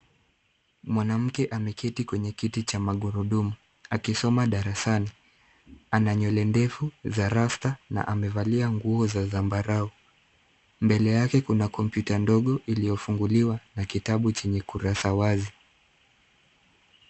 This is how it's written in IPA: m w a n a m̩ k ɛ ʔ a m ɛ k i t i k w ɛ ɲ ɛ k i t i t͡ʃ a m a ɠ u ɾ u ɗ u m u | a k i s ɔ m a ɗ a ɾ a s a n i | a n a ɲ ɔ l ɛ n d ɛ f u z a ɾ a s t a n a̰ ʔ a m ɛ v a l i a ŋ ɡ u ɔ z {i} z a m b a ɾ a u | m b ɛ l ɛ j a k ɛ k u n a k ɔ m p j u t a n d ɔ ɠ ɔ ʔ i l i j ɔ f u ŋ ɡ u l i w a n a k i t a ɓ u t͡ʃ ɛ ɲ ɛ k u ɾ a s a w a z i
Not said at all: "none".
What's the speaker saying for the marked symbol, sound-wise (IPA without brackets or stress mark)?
a